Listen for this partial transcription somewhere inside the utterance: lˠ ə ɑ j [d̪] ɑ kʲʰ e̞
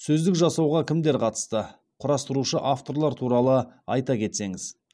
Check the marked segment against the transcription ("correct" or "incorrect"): incorrect